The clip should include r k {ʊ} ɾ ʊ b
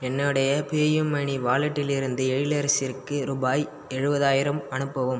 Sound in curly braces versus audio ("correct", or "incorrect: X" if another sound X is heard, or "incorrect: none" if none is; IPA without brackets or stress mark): incorrect: ɯ